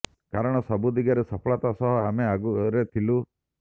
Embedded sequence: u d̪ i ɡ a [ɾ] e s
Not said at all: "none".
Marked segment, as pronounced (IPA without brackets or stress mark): ɾ